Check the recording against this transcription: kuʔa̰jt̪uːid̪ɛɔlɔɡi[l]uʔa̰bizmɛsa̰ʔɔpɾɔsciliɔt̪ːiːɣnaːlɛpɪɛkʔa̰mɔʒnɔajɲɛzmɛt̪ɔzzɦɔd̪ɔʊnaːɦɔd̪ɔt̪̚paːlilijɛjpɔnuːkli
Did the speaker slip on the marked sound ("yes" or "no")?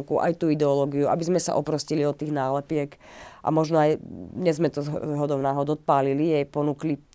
yes